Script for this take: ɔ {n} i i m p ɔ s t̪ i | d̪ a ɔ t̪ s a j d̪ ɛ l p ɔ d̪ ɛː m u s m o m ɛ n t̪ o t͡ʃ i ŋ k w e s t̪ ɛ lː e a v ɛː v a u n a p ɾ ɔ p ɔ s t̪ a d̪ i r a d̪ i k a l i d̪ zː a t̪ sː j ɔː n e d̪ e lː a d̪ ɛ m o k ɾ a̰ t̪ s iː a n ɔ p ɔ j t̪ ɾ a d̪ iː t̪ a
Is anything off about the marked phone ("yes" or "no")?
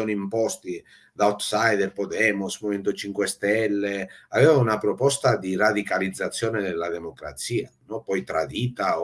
no